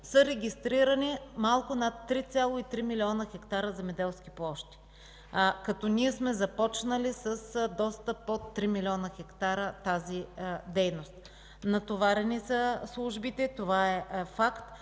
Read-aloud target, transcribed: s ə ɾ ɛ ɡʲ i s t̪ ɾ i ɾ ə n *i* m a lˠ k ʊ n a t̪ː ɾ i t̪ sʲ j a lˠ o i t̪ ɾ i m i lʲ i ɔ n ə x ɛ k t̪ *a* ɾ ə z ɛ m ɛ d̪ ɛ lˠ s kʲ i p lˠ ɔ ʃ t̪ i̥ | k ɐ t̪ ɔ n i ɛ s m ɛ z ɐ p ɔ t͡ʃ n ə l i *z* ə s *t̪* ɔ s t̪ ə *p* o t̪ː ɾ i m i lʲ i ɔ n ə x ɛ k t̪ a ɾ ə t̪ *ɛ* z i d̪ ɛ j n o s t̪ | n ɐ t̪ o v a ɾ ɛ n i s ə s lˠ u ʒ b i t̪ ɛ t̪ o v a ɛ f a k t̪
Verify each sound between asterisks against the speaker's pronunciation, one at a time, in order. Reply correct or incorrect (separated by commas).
correct, correct, incorrect, incorrect, correct, incorrect